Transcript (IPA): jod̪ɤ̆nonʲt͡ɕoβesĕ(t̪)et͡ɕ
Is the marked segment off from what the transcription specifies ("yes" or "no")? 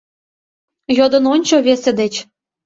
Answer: yes